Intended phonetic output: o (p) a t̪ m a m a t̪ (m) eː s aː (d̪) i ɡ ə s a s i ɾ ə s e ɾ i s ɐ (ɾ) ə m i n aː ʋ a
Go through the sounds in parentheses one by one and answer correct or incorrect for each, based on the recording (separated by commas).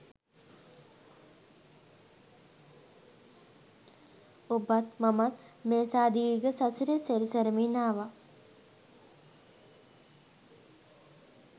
incorrect, correct, correct, correct